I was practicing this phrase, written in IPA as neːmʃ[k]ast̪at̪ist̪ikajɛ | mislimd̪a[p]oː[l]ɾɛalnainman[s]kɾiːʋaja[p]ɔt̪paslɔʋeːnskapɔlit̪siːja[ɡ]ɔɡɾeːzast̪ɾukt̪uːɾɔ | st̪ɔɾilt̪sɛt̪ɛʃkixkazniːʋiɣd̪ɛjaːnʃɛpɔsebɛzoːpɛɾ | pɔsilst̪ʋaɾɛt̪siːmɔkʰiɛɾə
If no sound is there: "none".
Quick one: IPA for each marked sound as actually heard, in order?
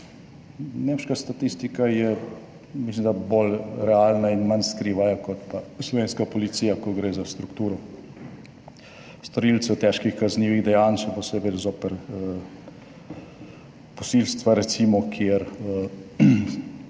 k, b, l, s, k, k

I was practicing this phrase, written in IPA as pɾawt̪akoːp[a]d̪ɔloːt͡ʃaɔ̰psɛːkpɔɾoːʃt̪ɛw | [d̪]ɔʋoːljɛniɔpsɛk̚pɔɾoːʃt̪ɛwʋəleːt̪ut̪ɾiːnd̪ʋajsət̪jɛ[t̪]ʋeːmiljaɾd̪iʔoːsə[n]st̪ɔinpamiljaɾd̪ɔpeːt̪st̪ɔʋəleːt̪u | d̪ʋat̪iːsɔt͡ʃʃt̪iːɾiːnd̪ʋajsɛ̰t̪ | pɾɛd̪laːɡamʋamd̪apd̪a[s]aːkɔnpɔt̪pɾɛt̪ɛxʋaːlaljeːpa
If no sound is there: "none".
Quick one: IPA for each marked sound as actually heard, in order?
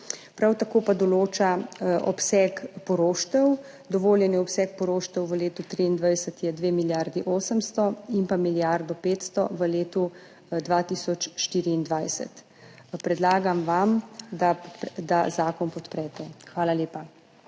a, d̪, d̪, m, z

